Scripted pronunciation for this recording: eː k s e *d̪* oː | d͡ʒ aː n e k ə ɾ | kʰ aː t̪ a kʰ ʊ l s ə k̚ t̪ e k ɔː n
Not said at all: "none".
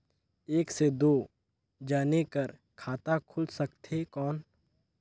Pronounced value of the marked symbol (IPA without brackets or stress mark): d̪